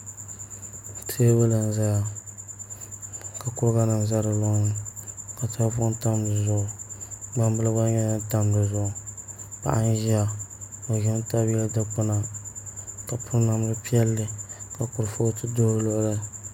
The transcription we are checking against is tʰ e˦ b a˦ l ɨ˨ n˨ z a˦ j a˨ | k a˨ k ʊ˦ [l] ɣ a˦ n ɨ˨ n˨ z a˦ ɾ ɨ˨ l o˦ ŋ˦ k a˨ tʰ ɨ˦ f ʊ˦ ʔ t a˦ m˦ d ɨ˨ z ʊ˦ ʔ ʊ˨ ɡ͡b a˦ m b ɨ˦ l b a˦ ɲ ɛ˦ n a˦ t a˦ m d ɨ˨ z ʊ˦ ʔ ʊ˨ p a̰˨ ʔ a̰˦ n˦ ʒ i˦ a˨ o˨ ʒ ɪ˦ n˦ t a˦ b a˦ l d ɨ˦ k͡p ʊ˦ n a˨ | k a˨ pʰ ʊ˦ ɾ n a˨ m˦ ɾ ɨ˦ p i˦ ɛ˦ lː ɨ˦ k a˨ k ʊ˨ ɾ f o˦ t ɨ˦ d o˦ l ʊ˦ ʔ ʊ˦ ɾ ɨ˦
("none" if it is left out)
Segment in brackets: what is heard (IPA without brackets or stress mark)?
ɾ